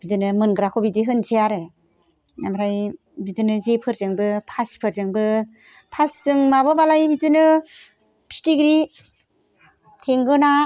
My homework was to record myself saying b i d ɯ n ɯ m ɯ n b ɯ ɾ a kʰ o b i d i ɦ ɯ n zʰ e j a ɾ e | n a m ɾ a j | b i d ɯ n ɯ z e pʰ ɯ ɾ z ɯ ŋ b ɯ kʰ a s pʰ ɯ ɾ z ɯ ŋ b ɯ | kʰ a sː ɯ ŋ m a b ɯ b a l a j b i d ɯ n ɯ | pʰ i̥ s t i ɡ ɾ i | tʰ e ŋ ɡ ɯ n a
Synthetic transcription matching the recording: b i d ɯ n ɯ m ɯ n ɡ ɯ ɾ a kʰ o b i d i ɦ ɯ n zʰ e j a ɾ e | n a m ɾ a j | b i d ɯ n ɯ z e pʰ ɯ ɾ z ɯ ŋ b ɯ pʰ a s pʰ ɯ ɾ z ɯ ŋ b ɯ | pʰ a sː ɯ ŋ m a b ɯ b a l a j b i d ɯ n ɯ | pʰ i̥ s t i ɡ ɾ i | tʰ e ŋ ɡ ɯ n a